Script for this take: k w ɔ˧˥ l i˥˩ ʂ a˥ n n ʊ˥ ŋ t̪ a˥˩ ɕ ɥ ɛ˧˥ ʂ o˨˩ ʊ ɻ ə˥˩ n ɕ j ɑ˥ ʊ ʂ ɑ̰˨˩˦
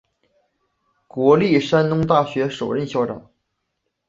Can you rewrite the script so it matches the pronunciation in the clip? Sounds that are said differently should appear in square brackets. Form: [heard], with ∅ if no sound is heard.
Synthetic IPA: k w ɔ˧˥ l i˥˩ ʂ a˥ n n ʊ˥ ŋ t̪ a˥˩ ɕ ɥ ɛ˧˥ ʂ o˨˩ ʊ ɻ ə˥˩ n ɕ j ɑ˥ ʊ [ʈ͡ʂ] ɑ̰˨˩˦